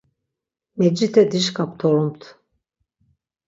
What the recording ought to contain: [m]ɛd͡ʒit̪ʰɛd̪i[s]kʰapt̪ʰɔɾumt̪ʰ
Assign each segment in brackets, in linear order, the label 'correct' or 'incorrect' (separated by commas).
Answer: correct, incorrect